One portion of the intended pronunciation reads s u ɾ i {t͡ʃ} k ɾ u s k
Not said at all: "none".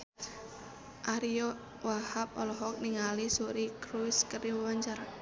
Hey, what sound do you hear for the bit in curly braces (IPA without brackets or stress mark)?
none